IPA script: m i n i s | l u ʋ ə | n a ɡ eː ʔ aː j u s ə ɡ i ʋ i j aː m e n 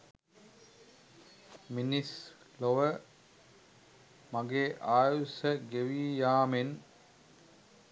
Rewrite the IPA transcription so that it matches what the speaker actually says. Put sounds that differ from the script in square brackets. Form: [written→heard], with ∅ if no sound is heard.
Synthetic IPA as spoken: m i n i s | l [u→o] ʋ ə | [n→m] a ɡ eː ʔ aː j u s ə ɡ [i→e] ʋ i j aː m e n